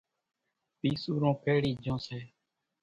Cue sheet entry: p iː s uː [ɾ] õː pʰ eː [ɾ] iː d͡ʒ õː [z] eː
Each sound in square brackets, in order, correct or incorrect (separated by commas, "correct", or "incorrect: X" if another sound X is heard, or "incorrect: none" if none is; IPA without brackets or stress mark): correct, incorrect: ɽ, incorrect: s